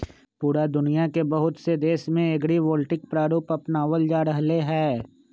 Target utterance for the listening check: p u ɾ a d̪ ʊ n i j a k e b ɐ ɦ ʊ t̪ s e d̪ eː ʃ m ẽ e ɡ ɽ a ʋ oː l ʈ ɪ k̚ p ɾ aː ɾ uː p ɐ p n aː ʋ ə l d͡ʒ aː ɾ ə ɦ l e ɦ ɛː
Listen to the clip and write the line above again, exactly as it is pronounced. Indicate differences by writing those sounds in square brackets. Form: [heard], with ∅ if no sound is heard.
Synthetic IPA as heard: p [uː] ɾ a d̪ ʊ n i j a k e b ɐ ɦ ʊ t̪ s e d̪ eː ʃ m ẽ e ɡ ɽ [i] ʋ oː l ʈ ɪ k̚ p ɾ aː ɾ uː p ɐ p n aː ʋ ə l d͡ʒ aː ɾ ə ɦ l e ɦ ɛː